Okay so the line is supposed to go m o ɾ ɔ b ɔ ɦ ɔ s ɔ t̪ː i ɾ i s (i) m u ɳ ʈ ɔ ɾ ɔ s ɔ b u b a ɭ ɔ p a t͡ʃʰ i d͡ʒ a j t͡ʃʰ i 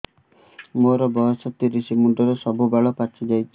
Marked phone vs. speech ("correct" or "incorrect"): correct